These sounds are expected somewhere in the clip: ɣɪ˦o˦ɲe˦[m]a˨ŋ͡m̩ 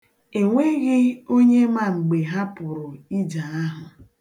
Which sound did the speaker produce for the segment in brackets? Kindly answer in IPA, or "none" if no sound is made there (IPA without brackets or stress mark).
m